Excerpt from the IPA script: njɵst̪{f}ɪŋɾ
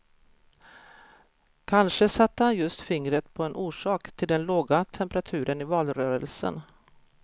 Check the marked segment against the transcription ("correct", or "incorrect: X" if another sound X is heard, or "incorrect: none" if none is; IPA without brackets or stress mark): correct